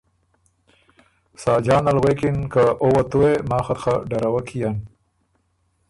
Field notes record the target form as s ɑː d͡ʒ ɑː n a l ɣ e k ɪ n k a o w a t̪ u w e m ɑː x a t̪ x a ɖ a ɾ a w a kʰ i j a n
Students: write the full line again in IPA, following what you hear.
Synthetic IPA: s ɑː d͡ʒ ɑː n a l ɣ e k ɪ n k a o w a t̪ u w e m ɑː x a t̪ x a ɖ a ɾ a w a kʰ i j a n